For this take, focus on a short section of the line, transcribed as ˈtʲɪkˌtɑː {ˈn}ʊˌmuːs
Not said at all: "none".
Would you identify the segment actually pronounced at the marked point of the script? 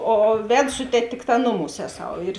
n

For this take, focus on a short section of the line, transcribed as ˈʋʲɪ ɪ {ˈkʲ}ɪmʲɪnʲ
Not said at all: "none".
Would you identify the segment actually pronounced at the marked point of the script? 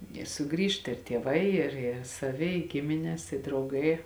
ɡʲ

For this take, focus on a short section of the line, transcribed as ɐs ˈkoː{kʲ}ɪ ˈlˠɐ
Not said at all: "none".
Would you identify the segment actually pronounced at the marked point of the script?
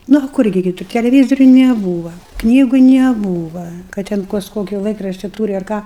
kʲ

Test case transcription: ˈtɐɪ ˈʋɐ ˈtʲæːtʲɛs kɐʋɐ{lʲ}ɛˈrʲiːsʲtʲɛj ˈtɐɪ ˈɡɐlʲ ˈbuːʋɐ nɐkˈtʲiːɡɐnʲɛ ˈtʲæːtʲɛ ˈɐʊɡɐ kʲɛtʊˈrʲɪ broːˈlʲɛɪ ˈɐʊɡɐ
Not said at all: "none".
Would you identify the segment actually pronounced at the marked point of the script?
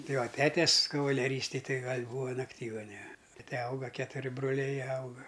lʲ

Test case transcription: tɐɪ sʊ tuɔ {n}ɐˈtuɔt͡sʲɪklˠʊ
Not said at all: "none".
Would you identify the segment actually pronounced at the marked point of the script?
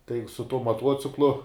m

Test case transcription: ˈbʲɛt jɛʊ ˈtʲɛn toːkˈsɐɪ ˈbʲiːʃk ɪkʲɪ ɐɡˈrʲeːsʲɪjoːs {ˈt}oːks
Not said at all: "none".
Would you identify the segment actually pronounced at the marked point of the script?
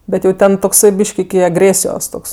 t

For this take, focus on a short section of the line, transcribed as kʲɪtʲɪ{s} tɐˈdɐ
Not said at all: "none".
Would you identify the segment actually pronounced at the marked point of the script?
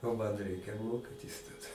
s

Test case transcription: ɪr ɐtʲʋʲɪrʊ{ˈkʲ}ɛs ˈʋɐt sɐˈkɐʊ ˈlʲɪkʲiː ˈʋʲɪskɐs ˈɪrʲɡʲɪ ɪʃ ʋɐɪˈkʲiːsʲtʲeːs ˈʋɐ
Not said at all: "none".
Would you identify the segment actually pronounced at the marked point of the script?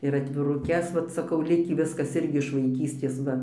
kʲ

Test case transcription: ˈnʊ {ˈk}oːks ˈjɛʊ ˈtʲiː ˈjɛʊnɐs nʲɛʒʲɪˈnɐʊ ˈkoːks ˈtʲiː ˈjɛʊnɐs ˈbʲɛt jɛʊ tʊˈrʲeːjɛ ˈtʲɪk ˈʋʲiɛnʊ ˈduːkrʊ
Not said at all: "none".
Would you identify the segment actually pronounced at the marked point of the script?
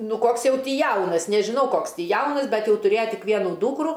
k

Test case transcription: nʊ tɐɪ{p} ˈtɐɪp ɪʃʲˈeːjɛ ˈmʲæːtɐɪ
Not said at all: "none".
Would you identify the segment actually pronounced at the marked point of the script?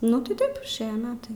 none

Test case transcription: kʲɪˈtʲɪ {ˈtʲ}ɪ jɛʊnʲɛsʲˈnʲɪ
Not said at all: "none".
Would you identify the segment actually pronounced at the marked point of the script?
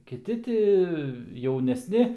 tʲ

